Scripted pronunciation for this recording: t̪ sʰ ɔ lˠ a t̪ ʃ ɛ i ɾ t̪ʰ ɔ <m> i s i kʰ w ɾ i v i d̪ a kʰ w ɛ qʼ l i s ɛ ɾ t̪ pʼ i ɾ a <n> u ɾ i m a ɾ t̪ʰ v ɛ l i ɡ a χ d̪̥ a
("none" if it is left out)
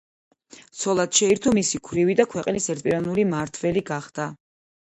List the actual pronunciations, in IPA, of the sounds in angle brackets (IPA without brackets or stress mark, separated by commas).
m, n